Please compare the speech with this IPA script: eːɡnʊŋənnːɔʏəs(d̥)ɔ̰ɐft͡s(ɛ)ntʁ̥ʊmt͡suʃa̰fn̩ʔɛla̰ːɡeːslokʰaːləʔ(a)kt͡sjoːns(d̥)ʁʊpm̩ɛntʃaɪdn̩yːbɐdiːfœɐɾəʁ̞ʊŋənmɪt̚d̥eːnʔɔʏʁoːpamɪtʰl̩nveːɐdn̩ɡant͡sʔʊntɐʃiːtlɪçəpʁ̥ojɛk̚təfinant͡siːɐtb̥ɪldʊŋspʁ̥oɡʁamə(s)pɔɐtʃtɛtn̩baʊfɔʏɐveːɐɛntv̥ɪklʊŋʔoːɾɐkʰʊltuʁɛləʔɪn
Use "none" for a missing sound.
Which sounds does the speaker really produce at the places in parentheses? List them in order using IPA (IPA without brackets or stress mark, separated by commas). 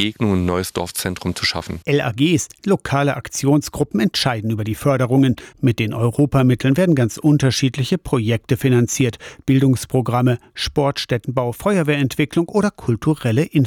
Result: d̥, ɛ, a, ɡ̥, ʃ